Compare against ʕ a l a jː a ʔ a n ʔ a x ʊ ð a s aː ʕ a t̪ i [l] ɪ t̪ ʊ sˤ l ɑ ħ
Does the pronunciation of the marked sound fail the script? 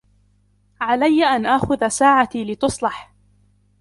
no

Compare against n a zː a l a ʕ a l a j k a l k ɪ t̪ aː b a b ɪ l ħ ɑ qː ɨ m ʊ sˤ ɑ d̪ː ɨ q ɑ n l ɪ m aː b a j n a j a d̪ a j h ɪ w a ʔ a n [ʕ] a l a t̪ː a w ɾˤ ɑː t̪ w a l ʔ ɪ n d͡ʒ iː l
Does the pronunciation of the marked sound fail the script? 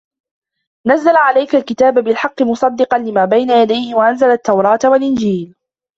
yes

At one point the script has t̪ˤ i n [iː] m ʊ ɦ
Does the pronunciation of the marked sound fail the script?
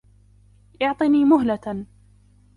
no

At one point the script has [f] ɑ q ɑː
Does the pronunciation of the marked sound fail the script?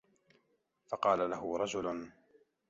no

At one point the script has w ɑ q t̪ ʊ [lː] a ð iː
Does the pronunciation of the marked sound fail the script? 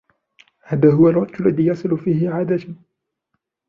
no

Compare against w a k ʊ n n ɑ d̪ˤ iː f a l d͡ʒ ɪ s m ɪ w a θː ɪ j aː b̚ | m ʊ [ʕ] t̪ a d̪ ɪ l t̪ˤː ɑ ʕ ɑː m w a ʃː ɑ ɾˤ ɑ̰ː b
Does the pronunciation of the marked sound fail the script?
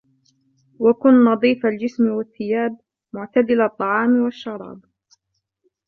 no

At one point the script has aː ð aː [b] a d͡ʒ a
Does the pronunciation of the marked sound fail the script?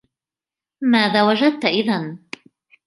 yes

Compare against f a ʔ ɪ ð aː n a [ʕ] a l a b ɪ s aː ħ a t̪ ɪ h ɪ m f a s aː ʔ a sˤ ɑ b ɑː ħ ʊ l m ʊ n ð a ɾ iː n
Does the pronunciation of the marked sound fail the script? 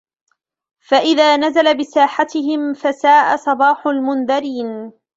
yes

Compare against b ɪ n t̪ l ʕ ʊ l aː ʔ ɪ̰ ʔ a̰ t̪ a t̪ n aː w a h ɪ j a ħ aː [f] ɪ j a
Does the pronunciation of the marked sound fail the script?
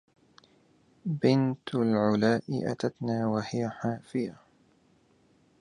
no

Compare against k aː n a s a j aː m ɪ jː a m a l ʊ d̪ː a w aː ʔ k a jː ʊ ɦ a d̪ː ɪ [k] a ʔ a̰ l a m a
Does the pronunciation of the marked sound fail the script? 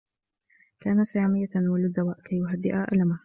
yes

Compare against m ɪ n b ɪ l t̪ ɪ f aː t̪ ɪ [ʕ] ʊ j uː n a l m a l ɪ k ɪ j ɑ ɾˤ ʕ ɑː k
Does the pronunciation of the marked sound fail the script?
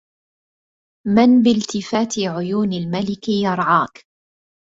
no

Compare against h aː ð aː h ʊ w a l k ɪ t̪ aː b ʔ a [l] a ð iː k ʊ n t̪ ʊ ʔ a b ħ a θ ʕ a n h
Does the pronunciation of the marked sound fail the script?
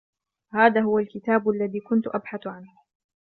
yes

